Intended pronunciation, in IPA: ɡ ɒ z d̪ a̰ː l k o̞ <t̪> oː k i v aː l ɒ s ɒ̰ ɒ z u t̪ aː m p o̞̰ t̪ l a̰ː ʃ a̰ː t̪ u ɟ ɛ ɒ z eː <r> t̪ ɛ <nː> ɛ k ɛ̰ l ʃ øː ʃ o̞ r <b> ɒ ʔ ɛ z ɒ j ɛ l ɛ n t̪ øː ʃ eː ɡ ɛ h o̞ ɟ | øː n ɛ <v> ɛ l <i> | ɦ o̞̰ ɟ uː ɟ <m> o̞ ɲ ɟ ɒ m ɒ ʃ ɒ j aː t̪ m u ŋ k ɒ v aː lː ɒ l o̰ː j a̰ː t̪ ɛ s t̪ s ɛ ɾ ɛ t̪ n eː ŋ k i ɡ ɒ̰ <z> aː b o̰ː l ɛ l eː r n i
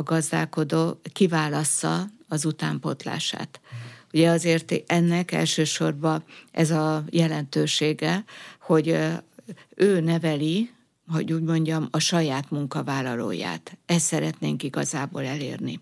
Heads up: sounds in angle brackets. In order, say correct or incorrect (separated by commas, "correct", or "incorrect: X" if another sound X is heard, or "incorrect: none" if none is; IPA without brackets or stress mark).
incorrect: d̪, correct, correct, correct, correct, correct, correct, correct